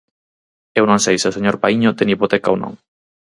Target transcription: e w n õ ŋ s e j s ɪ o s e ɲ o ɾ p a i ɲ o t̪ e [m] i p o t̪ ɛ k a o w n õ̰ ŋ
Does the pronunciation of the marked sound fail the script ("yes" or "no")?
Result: yes